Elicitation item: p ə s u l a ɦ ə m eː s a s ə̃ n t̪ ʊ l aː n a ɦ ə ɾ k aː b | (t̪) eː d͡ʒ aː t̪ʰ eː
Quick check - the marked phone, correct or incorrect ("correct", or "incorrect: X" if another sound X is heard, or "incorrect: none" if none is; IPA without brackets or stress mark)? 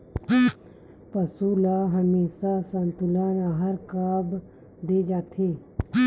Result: incorrect: d̪